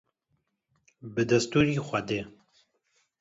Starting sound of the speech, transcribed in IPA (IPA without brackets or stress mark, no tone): b